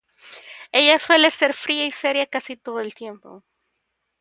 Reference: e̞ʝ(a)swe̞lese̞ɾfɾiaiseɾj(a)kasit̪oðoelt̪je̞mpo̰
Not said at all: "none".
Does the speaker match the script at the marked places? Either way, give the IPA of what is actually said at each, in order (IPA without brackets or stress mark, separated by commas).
a, a